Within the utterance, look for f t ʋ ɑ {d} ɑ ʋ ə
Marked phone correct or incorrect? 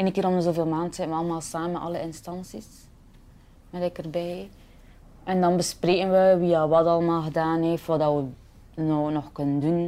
correct